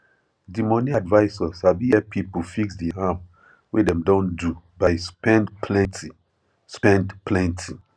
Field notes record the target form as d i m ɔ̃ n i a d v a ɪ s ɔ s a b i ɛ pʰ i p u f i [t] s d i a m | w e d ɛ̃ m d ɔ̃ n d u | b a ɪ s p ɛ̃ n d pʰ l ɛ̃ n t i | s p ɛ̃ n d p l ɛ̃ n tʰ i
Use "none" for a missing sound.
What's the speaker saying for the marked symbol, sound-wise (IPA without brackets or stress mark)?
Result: k